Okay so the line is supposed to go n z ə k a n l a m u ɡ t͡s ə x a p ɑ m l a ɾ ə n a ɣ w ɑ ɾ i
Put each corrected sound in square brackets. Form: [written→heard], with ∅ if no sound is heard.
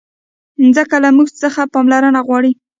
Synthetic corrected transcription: n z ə k a [n→∅] l a m u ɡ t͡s ə x a p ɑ m l a ɾ ə n a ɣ w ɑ [ɾ→ɽ] i